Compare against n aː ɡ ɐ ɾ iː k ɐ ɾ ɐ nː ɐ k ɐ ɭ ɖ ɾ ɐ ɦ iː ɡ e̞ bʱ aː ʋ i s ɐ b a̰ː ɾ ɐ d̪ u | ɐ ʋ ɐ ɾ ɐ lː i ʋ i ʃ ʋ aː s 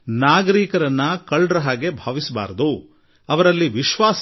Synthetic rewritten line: n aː ɡ ɐ ɾ iː k ɐ ɾ ɐ nː ɐ k ɐ ɭ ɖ ɾ ɐ ɦ aː ɡ e̞ bʱ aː ʋ i s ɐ b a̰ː ɾ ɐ d̪ u | ɐ ʋ ɐ ɾ ɐ lː i ʋ i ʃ ʋ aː s